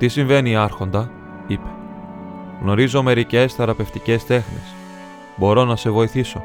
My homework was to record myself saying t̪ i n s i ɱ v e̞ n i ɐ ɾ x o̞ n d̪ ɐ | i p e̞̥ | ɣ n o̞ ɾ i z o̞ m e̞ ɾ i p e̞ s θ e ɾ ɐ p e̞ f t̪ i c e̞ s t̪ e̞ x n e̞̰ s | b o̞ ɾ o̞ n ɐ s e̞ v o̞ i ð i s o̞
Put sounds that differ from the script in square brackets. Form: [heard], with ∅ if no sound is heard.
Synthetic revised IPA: t̪ i [∅] s i ɱ v e̞ n i ɐ ɾ x o̞ n d̪ ɐ | i p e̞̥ | ɣ n o̞ ɾ i z o̞ m e̞ ɾ i [c] e̞ s θ e ɾ ɐ p e̞ f t̪ i c e̞ s t̪ e̞ x n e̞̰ s | b o̞ ɾ o̞ n ɐ s e̞ v o̞ i [θ] i s o̞